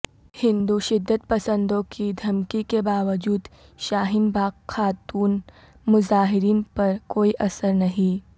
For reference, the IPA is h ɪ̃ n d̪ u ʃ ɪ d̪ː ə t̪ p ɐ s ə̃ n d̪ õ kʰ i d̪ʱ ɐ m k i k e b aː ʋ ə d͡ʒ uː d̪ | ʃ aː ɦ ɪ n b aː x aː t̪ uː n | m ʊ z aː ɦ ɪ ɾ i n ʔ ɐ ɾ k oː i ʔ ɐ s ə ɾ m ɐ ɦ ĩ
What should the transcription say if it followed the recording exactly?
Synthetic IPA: h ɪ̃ n d̪ u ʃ ɪ d̪ː ə t̪ p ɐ s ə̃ n d̪ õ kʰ i d̪ʱ ɐ m k i k e b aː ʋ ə d͡ʒ uː d̪ | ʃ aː ɦ ɪ n b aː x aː t̪ uː n | m ʊ z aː ɦ ɪ ɾ iː n p ɐ ɾ k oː i ʔ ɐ s ə ɾ n ɐ ɦ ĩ